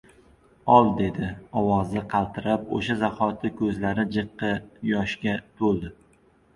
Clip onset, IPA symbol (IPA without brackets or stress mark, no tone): ɒ